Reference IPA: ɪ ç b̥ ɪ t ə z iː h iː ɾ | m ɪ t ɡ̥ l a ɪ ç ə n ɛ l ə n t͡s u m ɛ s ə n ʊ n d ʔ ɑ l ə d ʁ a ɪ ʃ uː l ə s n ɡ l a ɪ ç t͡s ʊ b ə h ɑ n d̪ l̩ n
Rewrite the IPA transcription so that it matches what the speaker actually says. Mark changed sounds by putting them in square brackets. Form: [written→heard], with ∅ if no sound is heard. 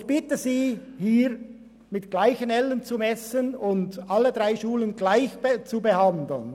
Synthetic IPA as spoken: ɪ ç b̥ ɪ t ə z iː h iː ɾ | m ɪ t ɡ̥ l a ɪ ç ə n ɛ l ə n t͡s u m ɛ s ə n ʊ n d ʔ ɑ l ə d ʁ a ɪ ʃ uː l ə [s→∅] n ɡ l a ɪ ç t͡s [ʊ→u] b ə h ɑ n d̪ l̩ n

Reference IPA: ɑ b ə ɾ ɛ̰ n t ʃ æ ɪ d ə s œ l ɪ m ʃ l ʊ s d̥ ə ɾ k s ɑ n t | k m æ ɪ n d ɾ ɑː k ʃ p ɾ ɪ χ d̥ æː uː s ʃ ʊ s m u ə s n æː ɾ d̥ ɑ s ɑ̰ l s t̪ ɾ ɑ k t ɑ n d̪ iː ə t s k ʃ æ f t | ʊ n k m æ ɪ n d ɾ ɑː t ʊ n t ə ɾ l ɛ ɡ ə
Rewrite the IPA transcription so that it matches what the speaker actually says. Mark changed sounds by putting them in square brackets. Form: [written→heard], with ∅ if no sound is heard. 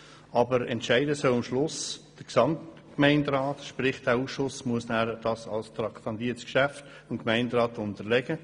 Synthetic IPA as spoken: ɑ b ə ɾ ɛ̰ n t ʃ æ ɪ d ə s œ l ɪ m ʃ l ʊ s d̥ ə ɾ k s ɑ [n→m] t | k m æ ɪ n d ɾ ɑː [k→t] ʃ p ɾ ɪ χ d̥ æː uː s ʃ ʊ s m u ə s n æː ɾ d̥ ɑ s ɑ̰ l s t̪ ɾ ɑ k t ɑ n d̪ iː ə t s k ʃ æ f t | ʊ n k m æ ɪ n d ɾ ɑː t ʊ n t ə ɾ l ɛ ɡ ə

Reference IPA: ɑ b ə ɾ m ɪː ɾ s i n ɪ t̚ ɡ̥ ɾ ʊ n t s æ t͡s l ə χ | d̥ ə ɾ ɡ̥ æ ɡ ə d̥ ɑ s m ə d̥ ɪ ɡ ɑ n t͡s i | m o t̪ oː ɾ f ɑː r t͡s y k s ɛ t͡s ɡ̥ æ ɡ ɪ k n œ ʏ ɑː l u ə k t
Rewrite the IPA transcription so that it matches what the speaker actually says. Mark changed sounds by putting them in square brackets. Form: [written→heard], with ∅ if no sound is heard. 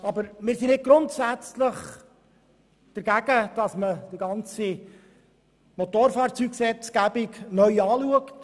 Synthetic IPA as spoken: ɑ b ə ɾ m ɪː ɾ s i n ɪ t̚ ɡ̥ ɾ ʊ n t s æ t͡s l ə χ | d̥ ə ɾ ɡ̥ æ ɡ ə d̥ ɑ s m ə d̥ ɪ ɡ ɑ n t͡s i | m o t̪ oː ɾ f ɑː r t͡s y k s ɛ t͡s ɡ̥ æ [ɡ→b] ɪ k n œ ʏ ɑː l u ə k t

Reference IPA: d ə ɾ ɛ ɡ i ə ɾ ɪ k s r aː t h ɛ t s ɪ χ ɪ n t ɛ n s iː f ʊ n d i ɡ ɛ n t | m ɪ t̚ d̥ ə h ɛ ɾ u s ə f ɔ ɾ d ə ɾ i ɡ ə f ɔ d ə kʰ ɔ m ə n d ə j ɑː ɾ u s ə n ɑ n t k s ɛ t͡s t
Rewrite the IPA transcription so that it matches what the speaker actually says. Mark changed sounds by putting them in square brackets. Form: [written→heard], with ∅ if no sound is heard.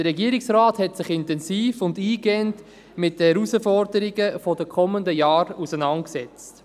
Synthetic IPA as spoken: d ə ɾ ɛ ɡ i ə ɾ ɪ k s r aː t h ɛ t s ɪ χ ɪ n t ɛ n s iː f ʊ n d [i→iː] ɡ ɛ n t | m ɪ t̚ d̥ ə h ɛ ɾ u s ə f ɔ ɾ d ə ɾ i ɡ ə f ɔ d ə kʰ ɔ m ə n d ə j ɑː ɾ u s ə n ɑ n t k s ɛ t͡s t

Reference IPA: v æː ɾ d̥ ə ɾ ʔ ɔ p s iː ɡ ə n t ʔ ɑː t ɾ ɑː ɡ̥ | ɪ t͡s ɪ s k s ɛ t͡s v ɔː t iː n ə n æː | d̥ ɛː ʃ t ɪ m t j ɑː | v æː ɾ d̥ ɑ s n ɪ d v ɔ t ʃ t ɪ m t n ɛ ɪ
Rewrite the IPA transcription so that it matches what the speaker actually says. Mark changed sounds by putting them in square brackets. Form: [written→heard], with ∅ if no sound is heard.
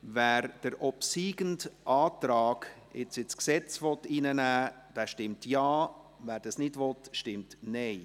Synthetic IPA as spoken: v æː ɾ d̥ ə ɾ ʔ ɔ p s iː ɡ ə n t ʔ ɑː t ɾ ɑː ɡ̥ | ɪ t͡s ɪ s k s ɛ t͡s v [ɔː→ɔ] t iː n ə n æː | d̥ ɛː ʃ t ɪ m t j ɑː | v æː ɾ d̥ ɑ s n ɪ d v ɔ t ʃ t ɪ m t n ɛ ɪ

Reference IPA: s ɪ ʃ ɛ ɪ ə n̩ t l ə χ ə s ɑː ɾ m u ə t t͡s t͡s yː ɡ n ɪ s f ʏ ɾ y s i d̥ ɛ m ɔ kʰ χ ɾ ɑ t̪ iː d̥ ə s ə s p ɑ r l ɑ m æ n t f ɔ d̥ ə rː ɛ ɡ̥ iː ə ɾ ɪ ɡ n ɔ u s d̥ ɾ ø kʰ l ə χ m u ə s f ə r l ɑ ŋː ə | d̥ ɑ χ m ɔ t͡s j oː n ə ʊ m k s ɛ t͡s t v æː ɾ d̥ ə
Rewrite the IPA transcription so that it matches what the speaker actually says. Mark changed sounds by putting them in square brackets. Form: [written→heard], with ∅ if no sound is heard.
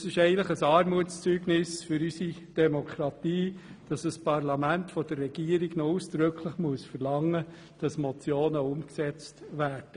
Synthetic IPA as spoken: s ɪ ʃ ɛ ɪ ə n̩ t l ə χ ə s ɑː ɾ m u ə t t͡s t͡s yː ɡ n ɪ s f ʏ ɾ y s i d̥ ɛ m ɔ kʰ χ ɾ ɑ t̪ iː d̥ [ə→ɑ] s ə s p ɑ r l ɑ m æ n t f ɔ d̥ ə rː ɛ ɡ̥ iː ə ɾ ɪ ɡ n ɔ u s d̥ ɾ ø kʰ l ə χ m u ə s f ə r l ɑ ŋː ə | d̥ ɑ [χ→s] m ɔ t͡s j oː n ə ʊ m k s ɛ t͡s t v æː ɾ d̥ ə

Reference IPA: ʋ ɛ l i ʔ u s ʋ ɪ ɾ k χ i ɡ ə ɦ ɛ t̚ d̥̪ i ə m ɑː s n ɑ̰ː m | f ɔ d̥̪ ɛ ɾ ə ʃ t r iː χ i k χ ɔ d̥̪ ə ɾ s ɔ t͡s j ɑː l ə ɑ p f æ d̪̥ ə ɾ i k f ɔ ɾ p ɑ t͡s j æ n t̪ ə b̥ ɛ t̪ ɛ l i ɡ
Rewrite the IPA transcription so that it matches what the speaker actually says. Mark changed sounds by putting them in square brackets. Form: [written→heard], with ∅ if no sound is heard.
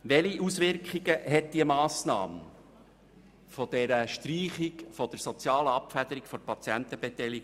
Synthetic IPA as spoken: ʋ ɛ l i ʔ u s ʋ ɪ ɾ k χ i ɡ ə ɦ ɛ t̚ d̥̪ i ə m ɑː s n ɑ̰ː m | f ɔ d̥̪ ɛ ɾ ə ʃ t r iː χ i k [χ→f] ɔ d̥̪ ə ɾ s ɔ t͡s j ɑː l ə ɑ p f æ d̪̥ ə ɾ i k f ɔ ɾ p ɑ t͡s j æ n t̪ ə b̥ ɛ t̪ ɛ l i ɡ

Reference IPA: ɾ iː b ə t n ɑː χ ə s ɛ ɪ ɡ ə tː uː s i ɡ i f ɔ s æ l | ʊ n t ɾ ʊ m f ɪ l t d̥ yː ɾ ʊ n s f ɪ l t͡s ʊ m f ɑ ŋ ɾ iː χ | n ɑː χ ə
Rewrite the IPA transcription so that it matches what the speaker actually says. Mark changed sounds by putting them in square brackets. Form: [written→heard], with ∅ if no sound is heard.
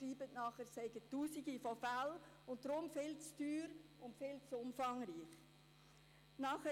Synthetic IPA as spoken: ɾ iː b ə t n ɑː χ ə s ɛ ɪ ɡ ə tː uː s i ɡ i f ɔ [s→f] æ l | ʊ n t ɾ ʊ m f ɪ l [t→t͡s] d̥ yː ɾ ʊ n [s→t] f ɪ l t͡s ʊ m f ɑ ŋ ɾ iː χ | n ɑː χ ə

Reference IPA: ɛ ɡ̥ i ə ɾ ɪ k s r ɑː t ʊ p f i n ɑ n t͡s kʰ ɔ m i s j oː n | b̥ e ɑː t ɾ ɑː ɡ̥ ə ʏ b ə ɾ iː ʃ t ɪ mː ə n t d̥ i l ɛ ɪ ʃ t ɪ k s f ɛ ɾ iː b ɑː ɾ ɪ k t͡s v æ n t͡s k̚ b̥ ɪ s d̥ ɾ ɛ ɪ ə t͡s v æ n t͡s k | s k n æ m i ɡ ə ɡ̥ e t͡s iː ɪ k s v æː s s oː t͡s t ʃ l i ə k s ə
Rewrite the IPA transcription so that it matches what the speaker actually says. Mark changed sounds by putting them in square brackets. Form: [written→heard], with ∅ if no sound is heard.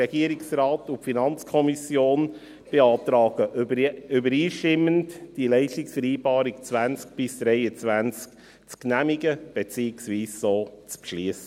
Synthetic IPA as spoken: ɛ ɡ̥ i ə ɾ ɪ k s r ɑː t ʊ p f i n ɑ n t͡s kʰ ɔ m i s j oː n | b̥ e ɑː t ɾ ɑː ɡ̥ ə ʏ b ə ɾ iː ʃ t ɪ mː ə n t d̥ i l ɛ ɪ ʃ t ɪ k s f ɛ ɾ iː b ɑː ɾ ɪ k t͡s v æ n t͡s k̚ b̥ ɪ s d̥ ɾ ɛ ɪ ə t͡s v æ n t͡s k | [s→t͡s] k n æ m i ɡ ə [ɡ̥→b̥] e t͡s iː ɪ k s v [æː→iː] s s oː t͡s [t→p] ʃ l i ə [k→∅] s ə

